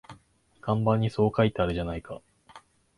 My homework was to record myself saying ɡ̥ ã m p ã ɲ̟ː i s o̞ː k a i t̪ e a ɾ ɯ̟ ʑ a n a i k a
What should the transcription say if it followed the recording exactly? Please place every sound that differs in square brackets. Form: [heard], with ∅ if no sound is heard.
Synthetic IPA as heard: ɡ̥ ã m [b] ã ɲ̟ː i s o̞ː k a i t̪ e a ɾ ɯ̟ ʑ a n a i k a